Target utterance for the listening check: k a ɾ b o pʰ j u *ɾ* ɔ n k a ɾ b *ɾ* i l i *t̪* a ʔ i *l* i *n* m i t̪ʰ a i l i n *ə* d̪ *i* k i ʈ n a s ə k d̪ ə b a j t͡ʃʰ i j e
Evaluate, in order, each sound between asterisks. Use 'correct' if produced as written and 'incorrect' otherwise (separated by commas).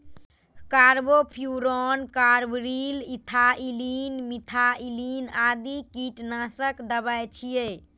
correct, correct, incorrect, correct, correct, incorrect, correct